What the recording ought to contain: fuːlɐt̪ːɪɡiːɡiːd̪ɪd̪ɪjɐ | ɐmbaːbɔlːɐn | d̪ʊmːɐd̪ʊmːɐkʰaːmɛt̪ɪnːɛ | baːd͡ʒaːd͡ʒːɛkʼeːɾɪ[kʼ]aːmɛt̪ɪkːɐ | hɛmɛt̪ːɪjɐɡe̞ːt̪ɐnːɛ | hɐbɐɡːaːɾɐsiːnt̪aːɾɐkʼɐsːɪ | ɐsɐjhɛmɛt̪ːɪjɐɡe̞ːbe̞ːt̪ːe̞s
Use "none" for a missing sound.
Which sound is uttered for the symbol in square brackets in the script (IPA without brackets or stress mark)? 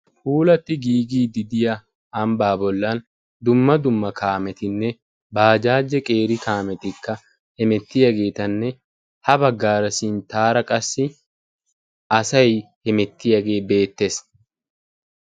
k